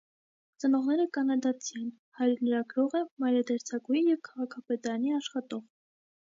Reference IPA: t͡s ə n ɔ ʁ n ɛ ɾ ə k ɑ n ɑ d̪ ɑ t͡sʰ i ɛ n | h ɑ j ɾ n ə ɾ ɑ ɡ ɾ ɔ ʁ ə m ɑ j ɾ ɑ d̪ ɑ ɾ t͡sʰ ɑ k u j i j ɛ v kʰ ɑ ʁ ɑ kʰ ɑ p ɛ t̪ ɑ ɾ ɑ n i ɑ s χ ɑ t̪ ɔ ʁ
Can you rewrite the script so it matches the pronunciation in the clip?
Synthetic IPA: t͡s ə n ɔ ʁ n ɛ ɾ ə k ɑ n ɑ d̪ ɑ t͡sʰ i ɛ n | h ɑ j ɾ n ə ɾ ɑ ɡ ɾ ɔ ʁ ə m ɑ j ɾ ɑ d̪ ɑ ɾ t͡sʰ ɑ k u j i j ɛ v kʰ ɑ ʁ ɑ kʰ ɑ p ɛ t̪ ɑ ɾ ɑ n i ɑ ʃ χ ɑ t̪ ɔ ʁ